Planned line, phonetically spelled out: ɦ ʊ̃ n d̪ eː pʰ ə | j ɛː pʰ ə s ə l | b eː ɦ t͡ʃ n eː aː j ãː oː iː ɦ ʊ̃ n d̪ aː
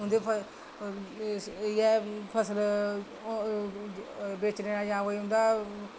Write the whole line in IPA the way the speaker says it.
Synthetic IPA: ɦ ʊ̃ n d̪ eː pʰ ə | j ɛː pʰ ə s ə l | b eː t͡ʃ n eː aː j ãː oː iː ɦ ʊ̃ n d̪ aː

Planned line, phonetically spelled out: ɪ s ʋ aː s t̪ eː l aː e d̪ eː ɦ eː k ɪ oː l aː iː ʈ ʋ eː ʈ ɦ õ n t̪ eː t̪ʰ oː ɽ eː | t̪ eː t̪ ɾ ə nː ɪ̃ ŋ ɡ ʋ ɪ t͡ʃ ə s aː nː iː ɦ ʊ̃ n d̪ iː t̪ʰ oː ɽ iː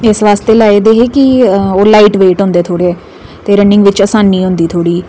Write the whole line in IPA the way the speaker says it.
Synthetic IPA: ɪ s ʋ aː s t̪ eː l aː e d̪ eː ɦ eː k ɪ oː l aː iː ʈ ʋ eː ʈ ɦ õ n d̪ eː t̪ʰ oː ɽ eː | t̪ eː ɾ ə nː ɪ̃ ŋ ɡ ʋ ɪ t͡ʃ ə s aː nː iː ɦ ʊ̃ n d̪ iː t̪ʰ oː ɽ iː

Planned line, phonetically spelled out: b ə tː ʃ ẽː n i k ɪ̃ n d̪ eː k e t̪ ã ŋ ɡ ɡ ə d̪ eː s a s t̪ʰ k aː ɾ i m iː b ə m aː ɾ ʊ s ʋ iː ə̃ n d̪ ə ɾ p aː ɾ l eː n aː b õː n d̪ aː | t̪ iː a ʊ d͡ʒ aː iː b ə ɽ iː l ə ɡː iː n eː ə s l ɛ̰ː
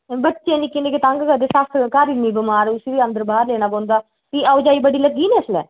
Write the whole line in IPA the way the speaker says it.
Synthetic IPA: b ə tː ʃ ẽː n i k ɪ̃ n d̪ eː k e t̪ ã ŋ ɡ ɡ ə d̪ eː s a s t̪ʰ k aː ɾ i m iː b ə m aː ɾ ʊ s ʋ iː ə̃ n d̪ ə ɾ b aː ɾ l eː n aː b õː n d̪ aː | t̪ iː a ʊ d͡ʒ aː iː b ə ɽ iː l ə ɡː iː n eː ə s l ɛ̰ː

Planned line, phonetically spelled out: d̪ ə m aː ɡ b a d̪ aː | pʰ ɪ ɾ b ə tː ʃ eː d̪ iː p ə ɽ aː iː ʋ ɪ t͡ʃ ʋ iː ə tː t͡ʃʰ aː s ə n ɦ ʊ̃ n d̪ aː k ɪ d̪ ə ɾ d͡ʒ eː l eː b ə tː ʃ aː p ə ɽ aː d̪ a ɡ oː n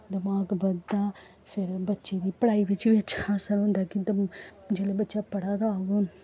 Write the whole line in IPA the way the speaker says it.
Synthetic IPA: d̪ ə m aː ɡ b ə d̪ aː | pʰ ɪ ɾ b ə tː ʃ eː d̪ iː p ə ɽ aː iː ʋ ɪ t͡ʃ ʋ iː ə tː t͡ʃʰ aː s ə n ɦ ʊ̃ n d̪ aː k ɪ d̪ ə d͡ʒ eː l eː b ə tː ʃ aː p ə ɽ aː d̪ a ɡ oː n

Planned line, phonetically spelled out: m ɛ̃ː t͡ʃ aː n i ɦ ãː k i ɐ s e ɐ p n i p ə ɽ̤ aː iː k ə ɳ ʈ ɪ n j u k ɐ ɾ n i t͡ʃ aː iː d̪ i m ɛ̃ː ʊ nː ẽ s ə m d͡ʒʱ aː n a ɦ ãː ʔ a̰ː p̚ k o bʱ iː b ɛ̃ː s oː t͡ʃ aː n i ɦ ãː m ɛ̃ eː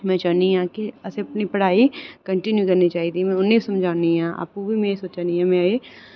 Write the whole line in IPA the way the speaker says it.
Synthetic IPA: m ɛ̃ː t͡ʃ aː n i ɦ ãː k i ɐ s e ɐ p n i p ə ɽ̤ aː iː k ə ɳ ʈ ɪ n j u k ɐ ɾ n i t͡ʃ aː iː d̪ i m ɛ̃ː ʊ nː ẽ s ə m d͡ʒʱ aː n i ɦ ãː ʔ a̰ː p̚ k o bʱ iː m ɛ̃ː s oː t͡ʃ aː n i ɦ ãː m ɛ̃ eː

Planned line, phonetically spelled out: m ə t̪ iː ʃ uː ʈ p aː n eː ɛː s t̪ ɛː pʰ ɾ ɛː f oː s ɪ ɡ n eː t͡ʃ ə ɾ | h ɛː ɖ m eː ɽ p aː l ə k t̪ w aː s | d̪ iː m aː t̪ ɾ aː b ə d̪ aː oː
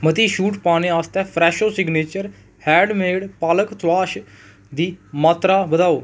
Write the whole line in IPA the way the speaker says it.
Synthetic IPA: m ə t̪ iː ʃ uː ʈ p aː n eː aː s t̪ ɛː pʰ ɾ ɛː ʃ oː s ɪ ɡ n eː t͡ʃ ə ɾ | h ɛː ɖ m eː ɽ p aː l ə k t̪ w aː ʃ | d̪ iː m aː t̪ ɾ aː b ə d̪ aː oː

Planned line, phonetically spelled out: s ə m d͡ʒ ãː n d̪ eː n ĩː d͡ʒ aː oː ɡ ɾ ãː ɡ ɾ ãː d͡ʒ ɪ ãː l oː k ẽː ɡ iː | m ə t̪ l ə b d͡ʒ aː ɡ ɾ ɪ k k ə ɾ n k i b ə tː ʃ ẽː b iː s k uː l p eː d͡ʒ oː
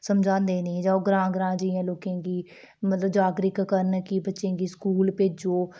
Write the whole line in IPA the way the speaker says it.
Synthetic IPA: s ə m d͡ʒ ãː n d̪ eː n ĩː d͡ʒ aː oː ɡ ɾ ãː ɡ ɾ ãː d͡ʒ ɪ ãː l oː k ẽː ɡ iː | m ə t̪ l ə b d͡ʒ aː ɡ ɾ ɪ k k ə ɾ n k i b ə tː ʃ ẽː ɡ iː s k uː l p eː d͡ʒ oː

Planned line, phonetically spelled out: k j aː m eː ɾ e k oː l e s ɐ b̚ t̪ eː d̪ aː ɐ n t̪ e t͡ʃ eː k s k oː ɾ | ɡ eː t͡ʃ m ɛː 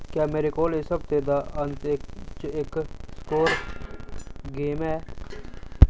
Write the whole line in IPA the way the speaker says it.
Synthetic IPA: k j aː m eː ɾ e k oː l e s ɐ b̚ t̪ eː d̪ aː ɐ n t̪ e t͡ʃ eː k s k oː ɾ | ɡ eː m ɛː

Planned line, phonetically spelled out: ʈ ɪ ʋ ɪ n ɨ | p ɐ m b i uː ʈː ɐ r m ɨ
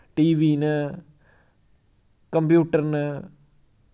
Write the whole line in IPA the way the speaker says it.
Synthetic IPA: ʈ i ʋ i n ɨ | k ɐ m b j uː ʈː ɐ r n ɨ

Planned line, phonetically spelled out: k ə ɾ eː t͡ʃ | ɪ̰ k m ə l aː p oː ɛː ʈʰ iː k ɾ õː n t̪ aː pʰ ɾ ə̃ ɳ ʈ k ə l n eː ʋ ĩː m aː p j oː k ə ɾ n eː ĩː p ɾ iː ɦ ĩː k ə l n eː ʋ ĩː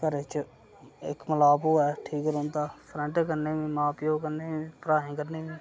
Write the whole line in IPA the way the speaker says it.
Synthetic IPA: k ə ɾ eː t͡ʃ | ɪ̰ k m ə l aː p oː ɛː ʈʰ iː k ɾ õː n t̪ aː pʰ ɾ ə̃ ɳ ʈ k ə ɾ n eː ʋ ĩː m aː p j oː k ə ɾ n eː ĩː p ɾ aː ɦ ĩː k ə ɾ n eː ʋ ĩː

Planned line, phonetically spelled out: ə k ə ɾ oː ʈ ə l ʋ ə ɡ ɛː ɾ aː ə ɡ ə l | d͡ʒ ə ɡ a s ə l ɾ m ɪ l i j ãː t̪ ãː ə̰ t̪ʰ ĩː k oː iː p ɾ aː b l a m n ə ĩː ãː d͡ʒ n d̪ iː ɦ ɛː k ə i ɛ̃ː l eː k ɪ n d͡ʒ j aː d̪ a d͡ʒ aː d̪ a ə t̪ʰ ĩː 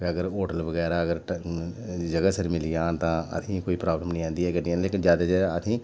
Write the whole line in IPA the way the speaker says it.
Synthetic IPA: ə ɡ ə ɾ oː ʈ ə l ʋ ə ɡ ɛː ɾ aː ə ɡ ə ɾ | d͡ʒ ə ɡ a s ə ɾ m ɪ l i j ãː t̪ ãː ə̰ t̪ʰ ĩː k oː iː p ɾ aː b l ə m n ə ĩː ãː n d̪ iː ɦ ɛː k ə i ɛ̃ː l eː k ɪ n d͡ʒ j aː d̪ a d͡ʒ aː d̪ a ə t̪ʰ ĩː

